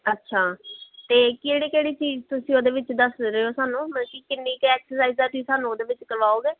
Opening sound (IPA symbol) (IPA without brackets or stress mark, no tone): ə